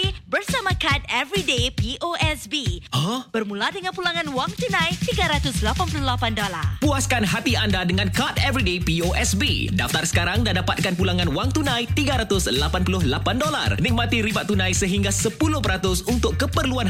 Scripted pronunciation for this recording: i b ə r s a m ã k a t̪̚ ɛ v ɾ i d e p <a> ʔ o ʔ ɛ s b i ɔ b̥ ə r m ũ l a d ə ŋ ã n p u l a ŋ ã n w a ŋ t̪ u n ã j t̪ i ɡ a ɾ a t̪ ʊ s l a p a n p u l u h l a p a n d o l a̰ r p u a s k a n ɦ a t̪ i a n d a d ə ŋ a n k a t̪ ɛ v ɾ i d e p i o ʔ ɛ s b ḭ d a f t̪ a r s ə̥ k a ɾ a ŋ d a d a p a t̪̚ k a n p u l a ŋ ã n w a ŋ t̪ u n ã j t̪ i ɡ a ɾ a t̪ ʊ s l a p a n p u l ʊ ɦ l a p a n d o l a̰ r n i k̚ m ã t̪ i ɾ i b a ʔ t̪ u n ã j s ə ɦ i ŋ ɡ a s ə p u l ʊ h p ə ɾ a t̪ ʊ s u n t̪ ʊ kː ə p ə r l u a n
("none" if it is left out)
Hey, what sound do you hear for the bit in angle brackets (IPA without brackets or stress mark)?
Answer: i